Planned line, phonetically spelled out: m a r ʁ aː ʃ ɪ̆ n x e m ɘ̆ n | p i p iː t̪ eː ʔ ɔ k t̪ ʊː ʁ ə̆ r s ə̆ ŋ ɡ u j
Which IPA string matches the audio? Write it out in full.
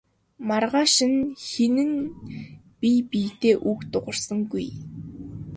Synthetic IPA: m a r ʁ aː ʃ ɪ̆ n x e n ɘ̆ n | p i p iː t̪ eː ʔ u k t̪ ʊ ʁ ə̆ r s ə̆ ŋ ɡ u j